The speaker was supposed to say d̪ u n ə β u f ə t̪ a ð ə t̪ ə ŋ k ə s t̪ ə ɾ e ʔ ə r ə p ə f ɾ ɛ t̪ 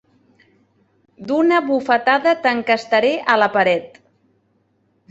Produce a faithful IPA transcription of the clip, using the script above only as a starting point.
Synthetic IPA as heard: d̪ u n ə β u f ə t̪ a ð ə t̪ ə ŋ k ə s t̪ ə ɾ e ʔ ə l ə p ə ɾ ɛ t̪